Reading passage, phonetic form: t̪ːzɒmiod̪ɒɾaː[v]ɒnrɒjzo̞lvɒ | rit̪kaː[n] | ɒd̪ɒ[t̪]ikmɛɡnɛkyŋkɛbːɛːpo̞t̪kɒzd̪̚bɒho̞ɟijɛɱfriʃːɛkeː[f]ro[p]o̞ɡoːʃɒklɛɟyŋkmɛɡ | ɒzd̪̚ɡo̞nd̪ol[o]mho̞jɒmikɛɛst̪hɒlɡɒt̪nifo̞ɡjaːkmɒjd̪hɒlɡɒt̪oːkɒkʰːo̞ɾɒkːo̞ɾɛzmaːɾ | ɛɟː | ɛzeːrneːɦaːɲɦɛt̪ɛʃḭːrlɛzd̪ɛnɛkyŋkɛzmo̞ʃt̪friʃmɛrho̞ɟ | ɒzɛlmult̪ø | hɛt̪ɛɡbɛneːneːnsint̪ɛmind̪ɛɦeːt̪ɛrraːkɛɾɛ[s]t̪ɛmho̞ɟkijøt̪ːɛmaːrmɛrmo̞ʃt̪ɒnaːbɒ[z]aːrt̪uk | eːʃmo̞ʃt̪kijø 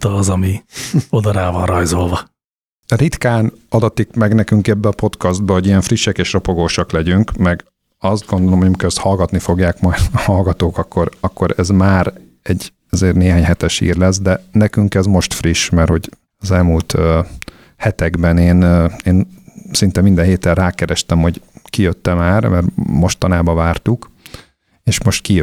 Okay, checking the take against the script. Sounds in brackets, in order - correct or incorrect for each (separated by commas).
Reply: correct, correct, correct, incorrect, correct, correct, incorrect, incorrect